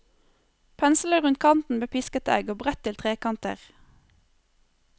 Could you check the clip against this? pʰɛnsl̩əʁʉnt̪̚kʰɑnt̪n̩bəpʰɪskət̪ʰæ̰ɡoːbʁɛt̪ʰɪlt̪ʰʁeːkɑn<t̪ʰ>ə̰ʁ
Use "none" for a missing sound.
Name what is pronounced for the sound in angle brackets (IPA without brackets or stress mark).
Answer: t̪